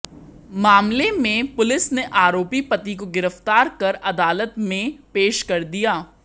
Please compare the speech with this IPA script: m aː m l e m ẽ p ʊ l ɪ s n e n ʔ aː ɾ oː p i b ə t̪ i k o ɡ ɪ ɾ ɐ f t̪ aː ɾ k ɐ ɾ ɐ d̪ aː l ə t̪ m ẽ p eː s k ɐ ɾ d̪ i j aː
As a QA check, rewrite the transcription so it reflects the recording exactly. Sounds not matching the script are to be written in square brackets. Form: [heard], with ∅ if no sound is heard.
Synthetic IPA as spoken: m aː m l e m ẽ p ʊ l ɪ s n e [∅] ʔ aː ɾ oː p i [p] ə t̪ i k o ɡ ɪ ɾ [ə] f t̪ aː ɾ k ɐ ɾ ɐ d̪ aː l ə t̪ m ẽ p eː [ʃ] k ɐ ɾ d̪ i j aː